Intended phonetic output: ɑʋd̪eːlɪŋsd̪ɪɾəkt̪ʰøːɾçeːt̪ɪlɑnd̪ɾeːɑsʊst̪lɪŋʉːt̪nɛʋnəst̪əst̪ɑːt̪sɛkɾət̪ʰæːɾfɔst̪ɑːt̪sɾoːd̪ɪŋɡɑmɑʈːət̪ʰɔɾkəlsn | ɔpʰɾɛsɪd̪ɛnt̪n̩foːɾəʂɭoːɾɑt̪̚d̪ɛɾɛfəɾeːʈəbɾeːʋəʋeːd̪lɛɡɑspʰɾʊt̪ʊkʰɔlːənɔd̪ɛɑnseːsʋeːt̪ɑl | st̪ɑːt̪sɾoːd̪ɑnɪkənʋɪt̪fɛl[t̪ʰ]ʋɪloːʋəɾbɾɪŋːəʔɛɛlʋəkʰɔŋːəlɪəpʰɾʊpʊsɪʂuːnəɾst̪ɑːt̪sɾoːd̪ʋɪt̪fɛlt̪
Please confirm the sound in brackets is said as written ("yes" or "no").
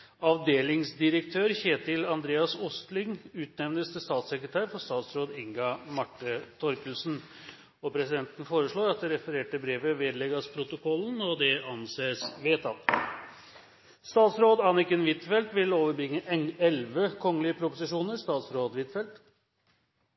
no